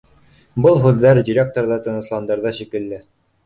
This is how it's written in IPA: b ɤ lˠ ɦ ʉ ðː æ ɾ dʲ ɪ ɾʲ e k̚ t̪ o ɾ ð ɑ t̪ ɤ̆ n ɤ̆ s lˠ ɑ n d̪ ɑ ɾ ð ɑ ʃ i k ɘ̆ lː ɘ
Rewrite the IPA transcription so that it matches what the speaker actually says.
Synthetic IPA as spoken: b ɤ lˠ ɦ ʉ ðː æ ɾ dʲ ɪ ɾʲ e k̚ t̪ o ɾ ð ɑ t̪ ɤ̆ n ɤ̆ s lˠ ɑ n d̪ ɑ ɾ ð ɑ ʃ i k ɘ̆ lː ɘ